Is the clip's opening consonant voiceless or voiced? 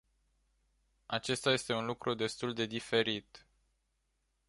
voiceless